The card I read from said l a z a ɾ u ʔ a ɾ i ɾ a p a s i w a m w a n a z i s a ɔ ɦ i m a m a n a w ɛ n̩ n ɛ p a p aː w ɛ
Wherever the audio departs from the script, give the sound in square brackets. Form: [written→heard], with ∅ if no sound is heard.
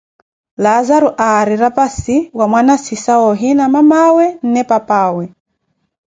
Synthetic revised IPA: l a z a ɾ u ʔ a ɾ i ɾ a p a s i w a m w a n a [z→s] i s a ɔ ɦ i [m→n] a m a [n→m] a w ɛ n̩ n ɛ p a p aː w ɛ